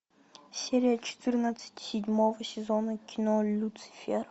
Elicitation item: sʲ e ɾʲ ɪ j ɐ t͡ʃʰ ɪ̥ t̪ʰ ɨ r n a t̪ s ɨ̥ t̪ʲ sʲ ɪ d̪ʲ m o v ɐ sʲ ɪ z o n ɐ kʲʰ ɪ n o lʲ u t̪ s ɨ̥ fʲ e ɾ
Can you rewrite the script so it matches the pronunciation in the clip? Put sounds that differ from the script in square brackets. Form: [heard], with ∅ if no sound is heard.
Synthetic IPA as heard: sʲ e ɾʲ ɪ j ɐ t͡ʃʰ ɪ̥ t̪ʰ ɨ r n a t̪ s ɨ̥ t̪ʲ sʲ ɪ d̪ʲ m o v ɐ sʲ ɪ z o n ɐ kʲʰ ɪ n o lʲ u t̪ s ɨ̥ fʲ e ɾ